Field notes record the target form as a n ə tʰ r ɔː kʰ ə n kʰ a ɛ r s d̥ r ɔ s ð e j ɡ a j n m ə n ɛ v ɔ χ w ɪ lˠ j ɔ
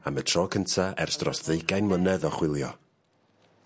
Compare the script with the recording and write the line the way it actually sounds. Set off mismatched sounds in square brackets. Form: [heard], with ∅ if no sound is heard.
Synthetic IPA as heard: a [m] ə tʰ r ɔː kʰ ə n [tʰ] a ɛ r s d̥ r ɔ s ð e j ɡ a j n m ə n ɛ [ð] ɔ χ w ɪ lˠ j ɔ